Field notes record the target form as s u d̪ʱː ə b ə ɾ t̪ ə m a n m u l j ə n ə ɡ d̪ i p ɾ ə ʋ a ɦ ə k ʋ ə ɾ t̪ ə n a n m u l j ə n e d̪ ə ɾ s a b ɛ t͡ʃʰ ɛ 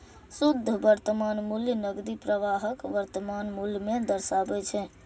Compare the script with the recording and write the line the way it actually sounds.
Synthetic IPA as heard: s u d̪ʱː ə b ə ɾ t̪ ə m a n m u l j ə n ə ɡ d̪ i p ɾ ə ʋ a ɦ ə k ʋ ə ɾ t̪ ə m a n m u l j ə m e d̪ ə ɾ s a b ɛ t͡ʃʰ ɛ